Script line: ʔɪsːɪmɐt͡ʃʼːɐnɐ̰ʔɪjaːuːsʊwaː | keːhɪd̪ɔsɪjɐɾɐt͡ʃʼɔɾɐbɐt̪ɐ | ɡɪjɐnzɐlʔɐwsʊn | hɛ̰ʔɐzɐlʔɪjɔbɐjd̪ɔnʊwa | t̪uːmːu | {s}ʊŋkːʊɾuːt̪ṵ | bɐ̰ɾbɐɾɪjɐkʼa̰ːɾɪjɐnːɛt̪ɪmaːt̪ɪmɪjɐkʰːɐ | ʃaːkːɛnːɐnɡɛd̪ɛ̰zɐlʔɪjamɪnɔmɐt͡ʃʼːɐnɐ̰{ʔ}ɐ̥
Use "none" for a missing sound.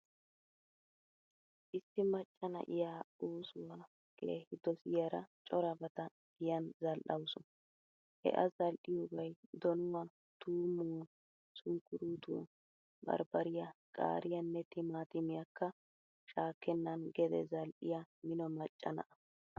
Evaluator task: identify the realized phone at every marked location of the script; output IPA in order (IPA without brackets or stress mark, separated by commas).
s, ʔ